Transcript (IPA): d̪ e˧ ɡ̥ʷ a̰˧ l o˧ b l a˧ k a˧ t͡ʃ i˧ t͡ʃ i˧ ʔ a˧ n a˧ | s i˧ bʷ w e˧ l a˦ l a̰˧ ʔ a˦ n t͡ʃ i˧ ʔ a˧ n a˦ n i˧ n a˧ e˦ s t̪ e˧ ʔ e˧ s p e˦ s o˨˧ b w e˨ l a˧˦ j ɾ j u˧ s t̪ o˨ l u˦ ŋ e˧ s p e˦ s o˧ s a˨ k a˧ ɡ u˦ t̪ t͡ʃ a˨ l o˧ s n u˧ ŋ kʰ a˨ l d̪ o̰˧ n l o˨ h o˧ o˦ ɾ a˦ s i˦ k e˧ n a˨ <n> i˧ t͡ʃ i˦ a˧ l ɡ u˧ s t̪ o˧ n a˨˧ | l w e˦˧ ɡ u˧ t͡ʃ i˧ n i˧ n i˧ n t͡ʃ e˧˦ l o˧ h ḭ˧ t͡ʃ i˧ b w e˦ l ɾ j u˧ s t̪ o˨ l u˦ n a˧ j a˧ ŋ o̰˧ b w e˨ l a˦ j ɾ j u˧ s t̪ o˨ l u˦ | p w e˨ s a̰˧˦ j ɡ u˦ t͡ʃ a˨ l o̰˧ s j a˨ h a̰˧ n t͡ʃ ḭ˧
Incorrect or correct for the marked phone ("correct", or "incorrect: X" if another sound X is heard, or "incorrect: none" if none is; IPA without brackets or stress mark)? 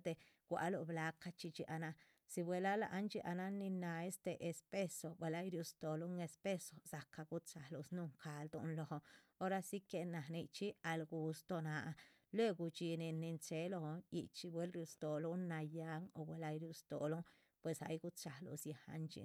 correct